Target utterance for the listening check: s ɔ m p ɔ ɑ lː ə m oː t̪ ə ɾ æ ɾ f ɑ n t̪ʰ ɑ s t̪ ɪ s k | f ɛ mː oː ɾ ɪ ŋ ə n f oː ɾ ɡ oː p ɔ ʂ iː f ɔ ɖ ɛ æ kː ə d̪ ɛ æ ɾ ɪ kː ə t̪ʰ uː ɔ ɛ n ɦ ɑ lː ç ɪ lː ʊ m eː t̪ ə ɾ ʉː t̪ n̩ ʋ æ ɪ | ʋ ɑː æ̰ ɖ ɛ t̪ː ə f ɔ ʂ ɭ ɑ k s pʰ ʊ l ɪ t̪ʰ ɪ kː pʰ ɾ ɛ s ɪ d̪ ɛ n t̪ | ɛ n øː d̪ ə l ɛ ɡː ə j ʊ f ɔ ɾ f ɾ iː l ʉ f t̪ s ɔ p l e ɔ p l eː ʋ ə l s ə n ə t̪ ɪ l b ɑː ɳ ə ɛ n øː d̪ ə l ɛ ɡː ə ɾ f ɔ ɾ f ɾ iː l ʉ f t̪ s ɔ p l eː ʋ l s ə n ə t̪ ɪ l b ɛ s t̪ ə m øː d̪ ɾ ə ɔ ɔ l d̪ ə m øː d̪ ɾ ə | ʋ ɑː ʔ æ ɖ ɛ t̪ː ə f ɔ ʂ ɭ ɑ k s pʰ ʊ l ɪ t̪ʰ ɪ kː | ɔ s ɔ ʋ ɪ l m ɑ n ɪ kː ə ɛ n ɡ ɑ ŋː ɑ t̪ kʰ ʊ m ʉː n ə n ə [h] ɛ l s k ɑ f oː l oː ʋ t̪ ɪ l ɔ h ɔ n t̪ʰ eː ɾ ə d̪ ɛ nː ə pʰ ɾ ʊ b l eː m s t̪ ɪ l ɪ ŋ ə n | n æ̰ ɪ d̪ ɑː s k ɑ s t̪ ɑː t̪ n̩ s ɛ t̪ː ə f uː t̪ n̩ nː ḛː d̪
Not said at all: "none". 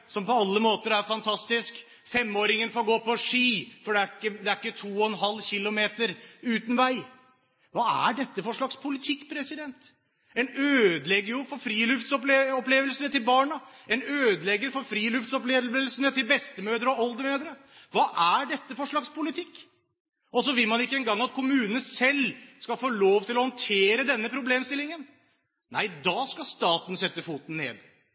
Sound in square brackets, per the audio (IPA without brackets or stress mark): s